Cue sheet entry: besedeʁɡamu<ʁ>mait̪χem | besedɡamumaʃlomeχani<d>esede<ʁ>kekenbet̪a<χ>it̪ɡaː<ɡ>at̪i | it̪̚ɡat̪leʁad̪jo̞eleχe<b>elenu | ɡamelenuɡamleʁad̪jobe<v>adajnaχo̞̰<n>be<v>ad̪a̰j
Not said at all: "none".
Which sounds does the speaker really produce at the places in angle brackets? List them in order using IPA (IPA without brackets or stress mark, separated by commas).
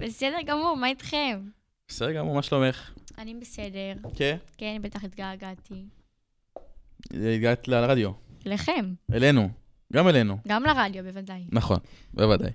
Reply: ʁ, b, ʁ, χ, ɡ, m, v, n, v